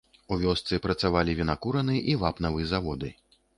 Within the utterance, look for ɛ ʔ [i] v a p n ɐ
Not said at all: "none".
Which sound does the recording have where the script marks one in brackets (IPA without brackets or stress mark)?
i